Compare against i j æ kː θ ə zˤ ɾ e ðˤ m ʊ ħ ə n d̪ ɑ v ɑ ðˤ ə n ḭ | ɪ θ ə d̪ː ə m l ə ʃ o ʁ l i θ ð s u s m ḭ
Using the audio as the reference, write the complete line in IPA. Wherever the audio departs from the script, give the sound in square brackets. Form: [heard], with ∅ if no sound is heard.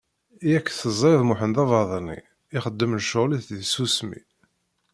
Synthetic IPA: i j æ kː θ ə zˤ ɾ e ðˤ m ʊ ħ ə n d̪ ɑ v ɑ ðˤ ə n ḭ | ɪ [χ] ə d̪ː ə m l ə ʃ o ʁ l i θ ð s u s m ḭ

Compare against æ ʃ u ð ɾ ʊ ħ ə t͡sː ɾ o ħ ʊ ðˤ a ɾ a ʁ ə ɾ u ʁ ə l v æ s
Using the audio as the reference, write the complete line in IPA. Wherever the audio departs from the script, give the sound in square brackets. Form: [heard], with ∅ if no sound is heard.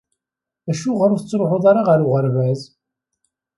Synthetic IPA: æ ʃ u [ʁ] ɾ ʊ [θ] ə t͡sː ɾ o ħ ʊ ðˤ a ɾ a ʁ ə ɾ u ʁ ə [ɾ] v æ [z]

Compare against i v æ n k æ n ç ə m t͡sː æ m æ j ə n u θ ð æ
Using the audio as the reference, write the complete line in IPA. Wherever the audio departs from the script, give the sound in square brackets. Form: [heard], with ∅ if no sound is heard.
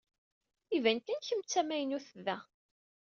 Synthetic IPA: i v æ n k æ n ç ə m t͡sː æ m æ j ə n u θ ð æ

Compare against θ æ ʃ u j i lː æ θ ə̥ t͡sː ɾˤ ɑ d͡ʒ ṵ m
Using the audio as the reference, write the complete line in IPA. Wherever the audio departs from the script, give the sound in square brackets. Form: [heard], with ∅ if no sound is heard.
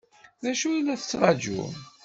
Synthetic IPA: [ð] æ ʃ u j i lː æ θ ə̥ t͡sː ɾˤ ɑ d͡ʒ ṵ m

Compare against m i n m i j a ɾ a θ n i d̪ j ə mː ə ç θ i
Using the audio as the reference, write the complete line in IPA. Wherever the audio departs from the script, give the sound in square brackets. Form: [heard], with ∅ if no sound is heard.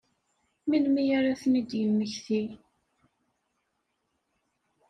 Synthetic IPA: m i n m i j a ɾ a θ n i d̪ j ə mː ə ç θ i

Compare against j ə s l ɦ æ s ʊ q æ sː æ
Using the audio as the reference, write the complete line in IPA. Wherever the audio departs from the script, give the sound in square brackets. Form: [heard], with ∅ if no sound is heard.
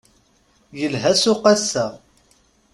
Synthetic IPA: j ə [∅] l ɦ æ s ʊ q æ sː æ

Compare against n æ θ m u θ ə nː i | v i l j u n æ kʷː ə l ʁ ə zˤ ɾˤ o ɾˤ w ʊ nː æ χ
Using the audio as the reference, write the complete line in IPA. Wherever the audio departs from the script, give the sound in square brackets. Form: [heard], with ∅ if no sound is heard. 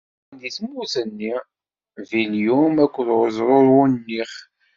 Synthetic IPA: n [i] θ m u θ ə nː i | v i l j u [m] æ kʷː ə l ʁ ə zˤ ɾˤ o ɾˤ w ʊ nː [i] χ

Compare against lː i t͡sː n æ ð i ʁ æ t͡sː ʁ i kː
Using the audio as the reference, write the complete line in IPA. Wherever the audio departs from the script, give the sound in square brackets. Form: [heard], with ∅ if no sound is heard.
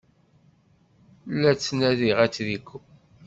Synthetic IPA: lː [æ] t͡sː n æ ð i ʁ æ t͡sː [ð] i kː

